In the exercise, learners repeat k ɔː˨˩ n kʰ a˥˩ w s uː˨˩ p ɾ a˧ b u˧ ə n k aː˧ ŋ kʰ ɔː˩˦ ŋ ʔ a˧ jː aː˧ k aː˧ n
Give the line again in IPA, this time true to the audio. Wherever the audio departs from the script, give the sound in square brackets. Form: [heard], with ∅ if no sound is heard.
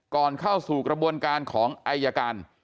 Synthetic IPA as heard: k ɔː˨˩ n kʰ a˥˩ w s uː˨˩ [k] ɾ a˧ b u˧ ə n k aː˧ [n] kʰ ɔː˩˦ ŋ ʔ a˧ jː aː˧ k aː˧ n